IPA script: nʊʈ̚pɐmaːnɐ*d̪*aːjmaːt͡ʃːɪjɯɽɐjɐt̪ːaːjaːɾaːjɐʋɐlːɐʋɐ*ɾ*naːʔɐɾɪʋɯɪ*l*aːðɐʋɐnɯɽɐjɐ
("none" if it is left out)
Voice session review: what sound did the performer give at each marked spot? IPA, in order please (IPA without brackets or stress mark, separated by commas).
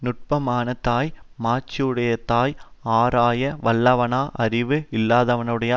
t̪, none, lː